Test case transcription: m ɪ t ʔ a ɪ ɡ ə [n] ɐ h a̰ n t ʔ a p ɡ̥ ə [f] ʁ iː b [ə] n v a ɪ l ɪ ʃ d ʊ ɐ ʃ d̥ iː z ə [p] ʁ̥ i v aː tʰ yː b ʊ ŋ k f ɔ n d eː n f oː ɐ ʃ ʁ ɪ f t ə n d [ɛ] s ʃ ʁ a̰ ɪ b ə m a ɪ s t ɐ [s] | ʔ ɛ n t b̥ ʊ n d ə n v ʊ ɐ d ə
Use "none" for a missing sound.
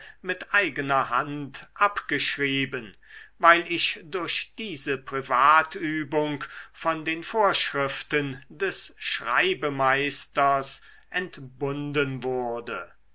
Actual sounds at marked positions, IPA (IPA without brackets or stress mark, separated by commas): n, ʃ, ə, p, ɛ, s